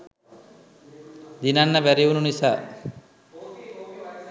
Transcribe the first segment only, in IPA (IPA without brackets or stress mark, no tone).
d̪